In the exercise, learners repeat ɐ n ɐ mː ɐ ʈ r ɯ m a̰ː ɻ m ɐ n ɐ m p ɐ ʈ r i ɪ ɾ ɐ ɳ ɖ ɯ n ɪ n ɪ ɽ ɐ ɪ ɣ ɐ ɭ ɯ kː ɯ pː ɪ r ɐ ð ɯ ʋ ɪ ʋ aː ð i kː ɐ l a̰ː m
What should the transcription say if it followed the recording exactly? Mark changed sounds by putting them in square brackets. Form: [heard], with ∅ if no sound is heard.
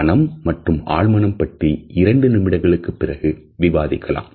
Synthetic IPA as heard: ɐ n ɐ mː ɐ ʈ r ɯ m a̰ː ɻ m ɐ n ɐ m p ɐ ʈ r i ɪ ɾ ɐ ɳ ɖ ɯ n ɪ [m] ɪ ɽ ɐ ɪ ɣ ɐ ɭ ɯ kː ɯ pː ɪ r ɐ [ɣ] ɯ ʋ ɪ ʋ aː ð [ɪ] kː ɐ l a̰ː m